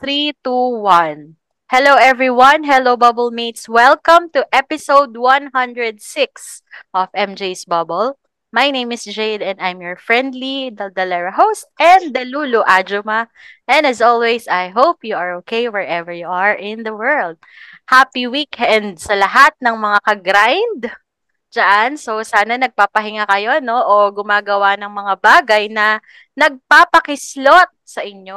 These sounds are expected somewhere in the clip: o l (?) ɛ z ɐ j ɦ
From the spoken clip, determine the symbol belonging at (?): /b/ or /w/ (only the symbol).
w